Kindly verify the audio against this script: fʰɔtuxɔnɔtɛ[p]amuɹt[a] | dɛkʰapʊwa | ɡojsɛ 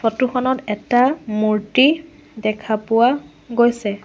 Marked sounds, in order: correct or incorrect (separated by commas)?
incorrect, incorrect